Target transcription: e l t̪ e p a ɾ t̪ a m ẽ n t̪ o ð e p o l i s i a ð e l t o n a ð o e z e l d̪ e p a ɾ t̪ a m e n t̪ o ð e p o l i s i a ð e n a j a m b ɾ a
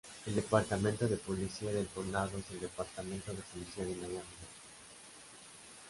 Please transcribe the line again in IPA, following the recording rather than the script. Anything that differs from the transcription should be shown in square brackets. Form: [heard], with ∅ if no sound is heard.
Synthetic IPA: e l [d̪] e p a ɾ t̪ a m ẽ n t̪ o ð e p o l i s i a ð e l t o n a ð o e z e l d̪ e p a ɾ t̪ a m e n t̪ o ð e p o l i s i a ð e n a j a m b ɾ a

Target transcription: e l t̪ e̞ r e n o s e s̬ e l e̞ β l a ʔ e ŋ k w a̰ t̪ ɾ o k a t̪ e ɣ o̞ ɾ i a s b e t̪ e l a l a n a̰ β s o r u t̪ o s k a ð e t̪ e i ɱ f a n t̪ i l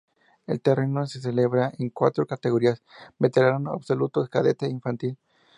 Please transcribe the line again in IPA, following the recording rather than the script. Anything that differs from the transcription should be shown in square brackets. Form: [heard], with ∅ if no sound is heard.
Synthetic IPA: e l t̪ e̞ r e n o s e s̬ e l e̞ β [ɾ] a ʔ e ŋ k w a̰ t̪ ɾ o k a t̪ e ɣ o̞ ɾ i a s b e t̪ e [ɾ] a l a n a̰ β s o [l] u t̪ o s k a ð e t̪ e i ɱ f a n t̪ i l

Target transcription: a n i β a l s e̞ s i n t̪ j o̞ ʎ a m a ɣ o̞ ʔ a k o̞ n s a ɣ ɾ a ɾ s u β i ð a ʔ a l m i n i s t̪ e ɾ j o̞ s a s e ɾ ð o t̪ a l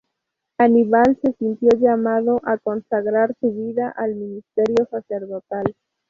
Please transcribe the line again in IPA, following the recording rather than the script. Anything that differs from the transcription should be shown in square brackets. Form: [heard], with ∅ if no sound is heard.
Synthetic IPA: a n i β a l s e̞ s i n t̪ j o̞ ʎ a m a [ð] o̞ ʔ a k o̞ n s a ɣ ɾ a ɾ s u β i ð a ʔ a l m i n i s t̪ e ɾ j o̞ s a s e ɾ ð o t̪ a l

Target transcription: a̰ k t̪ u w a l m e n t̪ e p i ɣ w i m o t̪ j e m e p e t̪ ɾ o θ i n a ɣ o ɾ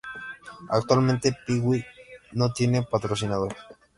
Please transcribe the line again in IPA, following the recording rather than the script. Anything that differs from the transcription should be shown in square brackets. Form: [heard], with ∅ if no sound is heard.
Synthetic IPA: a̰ k t̪ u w a l m e n t̪ e p i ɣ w i [n] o t̪ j e [n] e p [a] t̪ ɾ o [s] i n a [ð] o ɾ

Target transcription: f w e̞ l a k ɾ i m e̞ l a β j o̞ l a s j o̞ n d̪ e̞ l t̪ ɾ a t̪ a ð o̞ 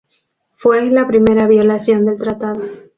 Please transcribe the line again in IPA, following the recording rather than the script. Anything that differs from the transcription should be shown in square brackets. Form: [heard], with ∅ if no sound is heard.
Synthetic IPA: f w e̞ l a [p] ɾ i m e̞ [ɾ] a β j o̞ l a s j o̞ n d̪ e̞ l t̪ ɾ a t̪ a ð o̞

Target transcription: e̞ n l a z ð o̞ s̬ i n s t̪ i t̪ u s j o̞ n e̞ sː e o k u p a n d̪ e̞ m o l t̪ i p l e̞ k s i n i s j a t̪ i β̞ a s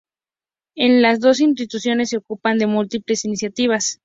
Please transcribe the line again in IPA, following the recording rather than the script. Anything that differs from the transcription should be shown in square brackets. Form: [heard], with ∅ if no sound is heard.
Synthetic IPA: e̞ n l a z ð o̞ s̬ i n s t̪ i t̪ u s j o̞ n e̞ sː e o k u p a n d̪ e̞ m [u] l t̪ i p l e̞ [∅] s i n i s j a t̪ i β̞ a s

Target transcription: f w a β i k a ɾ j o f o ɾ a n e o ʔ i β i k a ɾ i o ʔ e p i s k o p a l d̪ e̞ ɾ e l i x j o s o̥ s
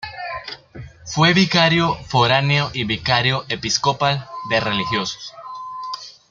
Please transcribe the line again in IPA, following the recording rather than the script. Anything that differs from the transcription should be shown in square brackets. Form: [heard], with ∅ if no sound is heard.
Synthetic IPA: f w [e] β i k a ɾ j o f o ɾ a n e o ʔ i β i k a ɾ [j] o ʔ e p i s k o p a l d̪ e̞ [r] e l i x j o s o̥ s

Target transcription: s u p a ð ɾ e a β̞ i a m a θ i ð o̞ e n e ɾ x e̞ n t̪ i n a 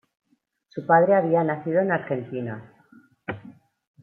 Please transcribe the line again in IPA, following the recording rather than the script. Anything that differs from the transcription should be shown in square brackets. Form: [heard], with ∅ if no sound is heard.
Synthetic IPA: s u p a ð ɾ e a β̞ i a [n] a θ i ð o̞ e n [a] ɾ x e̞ n t̪ i n a

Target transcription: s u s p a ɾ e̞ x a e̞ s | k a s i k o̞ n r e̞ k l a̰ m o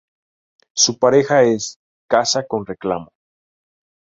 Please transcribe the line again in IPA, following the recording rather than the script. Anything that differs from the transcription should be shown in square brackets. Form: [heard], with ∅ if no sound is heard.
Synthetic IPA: s u [∅] p a ɾ e̞ x a e̞ s | k a s [a] k o̞ n r e̞ k l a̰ m o

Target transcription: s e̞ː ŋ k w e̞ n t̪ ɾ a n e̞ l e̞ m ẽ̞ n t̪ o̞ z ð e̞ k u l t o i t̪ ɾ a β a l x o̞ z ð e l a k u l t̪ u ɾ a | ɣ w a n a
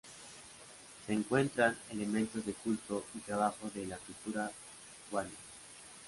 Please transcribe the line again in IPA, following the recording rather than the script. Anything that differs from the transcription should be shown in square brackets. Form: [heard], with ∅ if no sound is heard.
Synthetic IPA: s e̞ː ŋ k w e̞ n t̪ ɾ a n e̞ l e̞ m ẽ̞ n t̪ o̞ z ð e̞ k u l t o i t̪ ɾ a β a [∅] x o̞ z ð e l a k u l t̪ u ɾ a | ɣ w a n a

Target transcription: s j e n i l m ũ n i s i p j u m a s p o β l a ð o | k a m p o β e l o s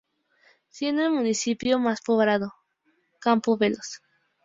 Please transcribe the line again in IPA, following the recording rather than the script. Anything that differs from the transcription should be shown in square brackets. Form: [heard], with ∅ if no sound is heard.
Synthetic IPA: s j e n [e] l m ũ n i s i p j [o] m a s p o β [ɾ] a ð o | k a m p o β e l o s

